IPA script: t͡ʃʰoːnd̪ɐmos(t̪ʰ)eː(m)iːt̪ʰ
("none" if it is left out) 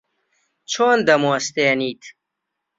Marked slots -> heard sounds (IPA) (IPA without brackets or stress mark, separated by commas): t̪, n